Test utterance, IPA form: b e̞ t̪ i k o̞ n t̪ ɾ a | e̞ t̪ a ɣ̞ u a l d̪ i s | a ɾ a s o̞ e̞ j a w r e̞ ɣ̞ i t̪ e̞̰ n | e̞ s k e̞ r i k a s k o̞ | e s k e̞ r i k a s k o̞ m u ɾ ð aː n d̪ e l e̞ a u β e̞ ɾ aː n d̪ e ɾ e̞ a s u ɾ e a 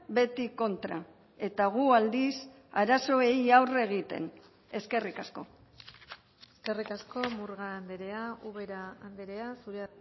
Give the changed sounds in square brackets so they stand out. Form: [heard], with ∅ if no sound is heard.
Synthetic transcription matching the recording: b e̞ t̪ i k o̞ n t̪ ɾ a | e̞ t̪ a ɣ̞ u a l d̪ i s | a ɾ a s o̞ e̞ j a w r e̞ ɣ̞ i t̪ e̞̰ n | e̞ s k e̞ r i k a s k o̞ | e s k e̞ r i k a s k o̞ m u ɾ [ɣ] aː n d̪ e [ɾ] e̞ a u β e̞ ɾ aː n d̪ e ɾ e̞ a s u ɾ e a